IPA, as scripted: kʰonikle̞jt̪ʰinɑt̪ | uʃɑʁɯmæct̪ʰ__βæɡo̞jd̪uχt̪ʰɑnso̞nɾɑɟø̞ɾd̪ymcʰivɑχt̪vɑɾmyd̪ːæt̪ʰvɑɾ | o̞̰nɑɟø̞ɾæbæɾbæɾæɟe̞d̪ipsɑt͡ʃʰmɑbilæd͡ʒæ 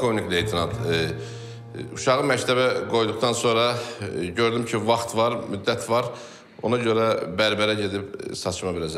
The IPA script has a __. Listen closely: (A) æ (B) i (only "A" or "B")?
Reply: A